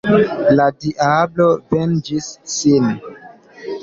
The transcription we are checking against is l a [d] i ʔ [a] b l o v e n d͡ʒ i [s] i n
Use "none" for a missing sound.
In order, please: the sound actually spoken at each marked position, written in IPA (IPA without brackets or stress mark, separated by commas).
d, a, sː